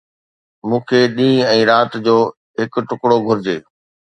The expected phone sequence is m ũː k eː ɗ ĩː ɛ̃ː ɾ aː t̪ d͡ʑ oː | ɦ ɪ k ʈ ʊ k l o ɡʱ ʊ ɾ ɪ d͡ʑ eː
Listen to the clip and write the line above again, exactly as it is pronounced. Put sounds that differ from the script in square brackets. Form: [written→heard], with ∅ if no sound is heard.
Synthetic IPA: m ũː [k→kʰ] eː ɗ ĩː ɛ̃ː ɾ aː t̪ d͡ʑ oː | ɦ ɪ k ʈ ʊ k [l→ɽ] o ɡʱ ʊ ɾ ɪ d͡ʑ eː